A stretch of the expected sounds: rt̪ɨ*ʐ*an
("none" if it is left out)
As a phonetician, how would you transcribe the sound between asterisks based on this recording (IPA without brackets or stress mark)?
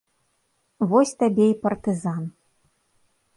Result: z